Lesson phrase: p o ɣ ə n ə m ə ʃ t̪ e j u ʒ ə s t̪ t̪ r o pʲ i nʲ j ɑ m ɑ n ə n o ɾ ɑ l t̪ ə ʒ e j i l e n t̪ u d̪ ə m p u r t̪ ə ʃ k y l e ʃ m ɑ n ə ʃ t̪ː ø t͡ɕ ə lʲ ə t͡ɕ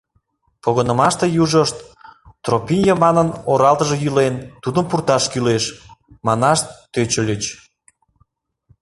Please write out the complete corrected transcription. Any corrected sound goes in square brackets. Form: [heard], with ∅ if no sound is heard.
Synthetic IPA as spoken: p o ɣ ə n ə m [ɑ] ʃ t̪ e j u ʒ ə [ʃ] t̪ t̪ r o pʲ i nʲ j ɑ m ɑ n ə n o ɾ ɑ l t̪ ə ʒ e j [y] l e n t̪ u d̪ ə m p u r t̪ [ɑ] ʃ k y l e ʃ m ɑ n [ɑ] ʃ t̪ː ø t͡ɕ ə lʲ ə t͡ɕ